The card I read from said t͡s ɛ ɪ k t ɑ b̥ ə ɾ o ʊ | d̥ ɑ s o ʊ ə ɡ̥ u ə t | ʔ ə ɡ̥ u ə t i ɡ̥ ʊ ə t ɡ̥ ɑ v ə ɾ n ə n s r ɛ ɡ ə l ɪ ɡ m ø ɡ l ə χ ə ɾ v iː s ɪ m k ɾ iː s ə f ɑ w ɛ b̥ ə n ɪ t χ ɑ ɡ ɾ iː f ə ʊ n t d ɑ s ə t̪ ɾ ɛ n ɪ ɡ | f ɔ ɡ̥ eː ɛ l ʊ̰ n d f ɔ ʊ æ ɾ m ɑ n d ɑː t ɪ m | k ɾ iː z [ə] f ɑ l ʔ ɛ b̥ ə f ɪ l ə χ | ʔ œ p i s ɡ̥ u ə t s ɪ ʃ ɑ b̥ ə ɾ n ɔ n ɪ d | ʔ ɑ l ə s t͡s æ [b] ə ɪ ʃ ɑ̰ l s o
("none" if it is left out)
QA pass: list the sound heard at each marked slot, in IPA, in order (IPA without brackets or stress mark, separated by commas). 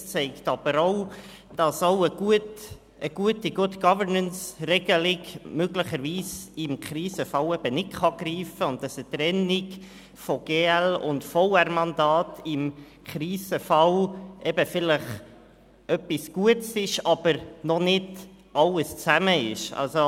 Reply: ə, m